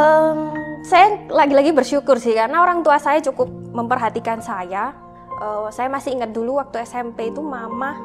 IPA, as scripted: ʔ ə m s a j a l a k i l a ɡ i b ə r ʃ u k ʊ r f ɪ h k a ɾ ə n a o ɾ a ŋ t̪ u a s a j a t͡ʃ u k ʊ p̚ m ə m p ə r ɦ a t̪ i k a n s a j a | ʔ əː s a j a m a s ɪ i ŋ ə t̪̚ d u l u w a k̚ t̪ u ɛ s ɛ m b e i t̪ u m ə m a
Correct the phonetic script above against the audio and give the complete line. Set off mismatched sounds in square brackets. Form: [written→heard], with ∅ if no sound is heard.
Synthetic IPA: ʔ ə m s a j a l a [k→ɡ] i l a ɡ i b ə r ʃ u k ʊ r [f→s] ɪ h k a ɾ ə n a o ɾ a ŋ t̪ u a s a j a t͡ʃ u k ʊ p̚ m ə m p ə r ɦ a t̪ i k a n s a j a | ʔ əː s a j a m a s ɪ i ŋ ə t̪̚ d u l u w a k̚ t̪ u ɛ s ɛ m [b→p] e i t̪ u m [ə→a] m a